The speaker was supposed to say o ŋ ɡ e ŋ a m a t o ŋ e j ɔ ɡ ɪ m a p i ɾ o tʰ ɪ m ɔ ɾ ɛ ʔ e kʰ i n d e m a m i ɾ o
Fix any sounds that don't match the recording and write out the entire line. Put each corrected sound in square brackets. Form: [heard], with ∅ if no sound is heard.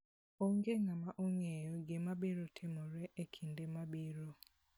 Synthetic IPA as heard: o ŋ ɡ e ŋ a m a [ʔ] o ŋ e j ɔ ɡ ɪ m a [b] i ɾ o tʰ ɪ m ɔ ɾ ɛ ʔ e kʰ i n d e m a [b] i ɾ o

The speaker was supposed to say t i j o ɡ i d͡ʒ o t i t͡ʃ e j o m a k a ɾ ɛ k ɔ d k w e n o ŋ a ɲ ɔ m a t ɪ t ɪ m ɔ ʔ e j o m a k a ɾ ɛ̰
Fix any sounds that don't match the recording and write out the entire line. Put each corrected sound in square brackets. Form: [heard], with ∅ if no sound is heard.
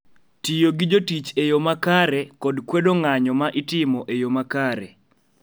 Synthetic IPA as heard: t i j o ɡ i d͡ʒ o t i t͡ʃ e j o m a k a ɾ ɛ k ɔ d k w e [d] o ŋ a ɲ ɔ m a [ʔ] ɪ t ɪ m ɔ ʔ e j o m a k a ɾ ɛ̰

